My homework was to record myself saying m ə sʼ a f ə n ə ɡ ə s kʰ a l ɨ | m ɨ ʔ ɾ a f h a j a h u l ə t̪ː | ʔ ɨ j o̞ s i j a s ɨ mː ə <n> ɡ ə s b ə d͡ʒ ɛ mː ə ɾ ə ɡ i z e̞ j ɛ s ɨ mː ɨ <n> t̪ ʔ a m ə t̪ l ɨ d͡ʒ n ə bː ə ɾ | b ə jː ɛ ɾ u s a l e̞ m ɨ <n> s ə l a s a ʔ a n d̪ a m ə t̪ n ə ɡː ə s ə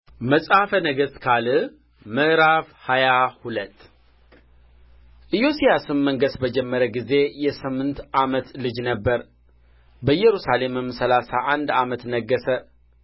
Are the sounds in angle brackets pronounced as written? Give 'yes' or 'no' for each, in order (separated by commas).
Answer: no, yes, no